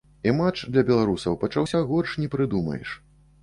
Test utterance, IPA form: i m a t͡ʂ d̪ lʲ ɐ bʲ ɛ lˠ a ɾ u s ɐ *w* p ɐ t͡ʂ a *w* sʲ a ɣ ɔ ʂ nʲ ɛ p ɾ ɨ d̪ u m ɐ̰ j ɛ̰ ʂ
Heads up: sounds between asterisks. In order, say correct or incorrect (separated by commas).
correct, correct